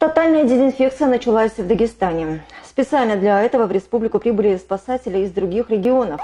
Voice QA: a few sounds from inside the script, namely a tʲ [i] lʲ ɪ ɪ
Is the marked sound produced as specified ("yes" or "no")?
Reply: no